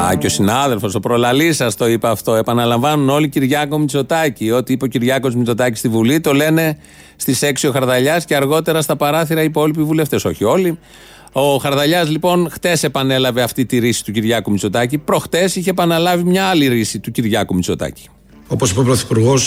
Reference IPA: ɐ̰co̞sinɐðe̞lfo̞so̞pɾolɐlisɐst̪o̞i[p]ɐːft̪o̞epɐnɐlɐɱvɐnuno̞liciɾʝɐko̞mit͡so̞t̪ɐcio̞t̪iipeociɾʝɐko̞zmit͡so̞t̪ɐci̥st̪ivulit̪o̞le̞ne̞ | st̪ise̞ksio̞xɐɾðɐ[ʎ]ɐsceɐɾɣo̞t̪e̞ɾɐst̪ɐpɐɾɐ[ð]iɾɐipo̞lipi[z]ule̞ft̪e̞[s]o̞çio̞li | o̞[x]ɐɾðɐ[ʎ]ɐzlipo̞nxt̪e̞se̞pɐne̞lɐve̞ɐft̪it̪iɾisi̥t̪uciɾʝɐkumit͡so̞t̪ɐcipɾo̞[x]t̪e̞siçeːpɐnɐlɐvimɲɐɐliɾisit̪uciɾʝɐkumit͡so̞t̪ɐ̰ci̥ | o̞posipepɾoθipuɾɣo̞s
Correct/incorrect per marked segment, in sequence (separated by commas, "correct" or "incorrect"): correct, correct, incorrect, incorrect, correct, correct, correct, correct